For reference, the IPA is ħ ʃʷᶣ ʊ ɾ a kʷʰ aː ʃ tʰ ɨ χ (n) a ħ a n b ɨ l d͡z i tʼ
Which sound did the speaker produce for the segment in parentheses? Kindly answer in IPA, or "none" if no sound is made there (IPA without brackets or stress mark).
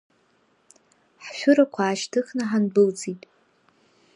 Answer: n